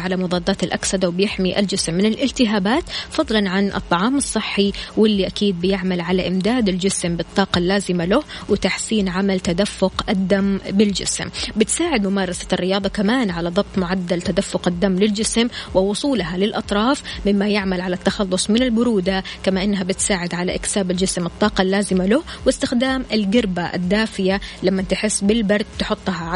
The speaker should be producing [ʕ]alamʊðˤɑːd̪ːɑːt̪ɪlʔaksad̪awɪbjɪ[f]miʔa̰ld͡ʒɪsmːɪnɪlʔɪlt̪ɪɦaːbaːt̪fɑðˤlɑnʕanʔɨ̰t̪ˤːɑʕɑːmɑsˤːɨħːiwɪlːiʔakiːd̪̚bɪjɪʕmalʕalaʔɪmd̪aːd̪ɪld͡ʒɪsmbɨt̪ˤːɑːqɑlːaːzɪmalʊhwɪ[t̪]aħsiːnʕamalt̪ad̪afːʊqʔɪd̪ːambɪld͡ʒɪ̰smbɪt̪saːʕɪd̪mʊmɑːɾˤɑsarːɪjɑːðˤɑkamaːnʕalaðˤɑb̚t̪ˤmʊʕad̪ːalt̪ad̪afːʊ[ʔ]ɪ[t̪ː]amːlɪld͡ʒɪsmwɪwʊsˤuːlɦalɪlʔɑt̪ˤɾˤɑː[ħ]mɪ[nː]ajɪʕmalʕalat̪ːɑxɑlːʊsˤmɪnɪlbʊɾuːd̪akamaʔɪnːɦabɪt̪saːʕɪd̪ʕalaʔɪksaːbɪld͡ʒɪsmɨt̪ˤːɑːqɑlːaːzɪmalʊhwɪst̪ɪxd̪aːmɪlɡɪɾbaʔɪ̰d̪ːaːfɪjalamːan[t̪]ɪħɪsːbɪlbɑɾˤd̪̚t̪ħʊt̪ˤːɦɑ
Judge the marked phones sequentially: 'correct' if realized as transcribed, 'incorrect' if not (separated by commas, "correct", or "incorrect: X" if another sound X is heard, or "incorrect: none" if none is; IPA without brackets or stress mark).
correct, incorrect: ħ, correct, incorrect: q, incorrect: d̪ː, incorrect: f, incorrect: mː, correct